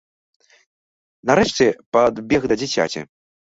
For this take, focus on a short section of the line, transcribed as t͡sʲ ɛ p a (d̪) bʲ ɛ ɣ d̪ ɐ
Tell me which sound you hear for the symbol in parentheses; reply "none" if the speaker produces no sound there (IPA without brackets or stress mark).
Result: d̪